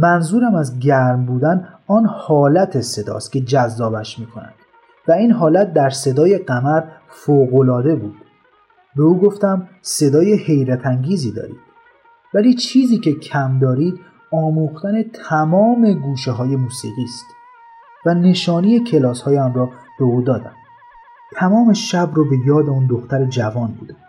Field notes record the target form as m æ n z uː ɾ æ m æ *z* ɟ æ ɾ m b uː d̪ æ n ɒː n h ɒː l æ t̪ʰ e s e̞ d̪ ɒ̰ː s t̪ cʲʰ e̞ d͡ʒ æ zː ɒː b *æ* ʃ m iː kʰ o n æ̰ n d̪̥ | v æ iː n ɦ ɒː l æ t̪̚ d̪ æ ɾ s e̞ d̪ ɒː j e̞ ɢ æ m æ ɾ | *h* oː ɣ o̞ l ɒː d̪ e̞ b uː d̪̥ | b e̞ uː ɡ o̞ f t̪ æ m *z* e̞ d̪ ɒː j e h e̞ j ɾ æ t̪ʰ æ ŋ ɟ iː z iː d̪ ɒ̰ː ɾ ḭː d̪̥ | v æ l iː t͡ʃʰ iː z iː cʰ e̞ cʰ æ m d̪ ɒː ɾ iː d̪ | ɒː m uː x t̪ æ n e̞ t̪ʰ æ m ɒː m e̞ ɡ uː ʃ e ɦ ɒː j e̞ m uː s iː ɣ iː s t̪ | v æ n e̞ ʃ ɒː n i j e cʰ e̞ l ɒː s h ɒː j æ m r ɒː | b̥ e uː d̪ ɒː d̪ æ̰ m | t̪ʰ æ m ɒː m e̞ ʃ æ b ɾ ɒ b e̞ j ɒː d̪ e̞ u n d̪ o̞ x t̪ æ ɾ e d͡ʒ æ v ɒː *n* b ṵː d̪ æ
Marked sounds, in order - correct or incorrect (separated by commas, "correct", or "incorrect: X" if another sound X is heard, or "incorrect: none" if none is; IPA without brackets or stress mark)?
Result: correct, correct, incorrect: f, incorrect: s, correct